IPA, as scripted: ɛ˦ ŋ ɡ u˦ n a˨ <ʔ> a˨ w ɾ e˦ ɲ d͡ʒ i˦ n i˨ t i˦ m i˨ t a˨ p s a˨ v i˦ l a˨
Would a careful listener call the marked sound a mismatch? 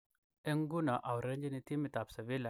no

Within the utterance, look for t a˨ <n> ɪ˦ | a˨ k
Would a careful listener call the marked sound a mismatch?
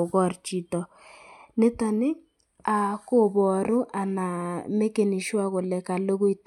no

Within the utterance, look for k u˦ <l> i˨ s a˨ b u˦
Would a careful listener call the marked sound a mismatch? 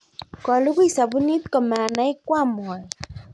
yes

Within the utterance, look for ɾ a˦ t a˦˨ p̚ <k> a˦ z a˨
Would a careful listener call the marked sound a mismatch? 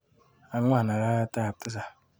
yes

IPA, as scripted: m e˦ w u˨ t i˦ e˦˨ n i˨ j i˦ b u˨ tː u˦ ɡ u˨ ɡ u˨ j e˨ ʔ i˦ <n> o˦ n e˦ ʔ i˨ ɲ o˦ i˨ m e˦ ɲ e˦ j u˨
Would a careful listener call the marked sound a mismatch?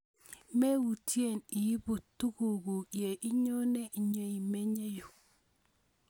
yes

